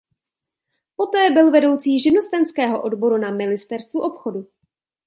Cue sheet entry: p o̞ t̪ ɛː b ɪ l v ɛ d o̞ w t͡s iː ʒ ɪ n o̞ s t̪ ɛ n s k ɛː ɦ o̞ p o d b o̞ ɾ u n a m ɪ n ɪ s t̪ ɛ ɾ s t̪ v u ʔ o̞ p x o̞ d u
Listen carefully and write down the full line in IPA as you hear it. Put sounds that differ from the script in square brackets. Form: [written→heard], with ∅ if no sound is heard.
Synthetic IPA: p o̞ t̪ ɛː b ɪ l v ɛ d o̞ w t͡s iː ʒ ɪ n o̞ s t̪ ɛ n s k ɛː ɦ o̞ [p→ʔ] o d b o̞ ɾ u n a m ɪ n ɪ s t̪ ɛ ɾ s t̪ v u ʔ o̞ p x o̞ d u